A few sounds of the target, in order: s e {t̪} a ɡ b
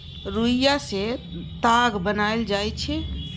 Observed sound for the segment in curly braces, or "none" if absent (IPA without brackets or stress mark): t̪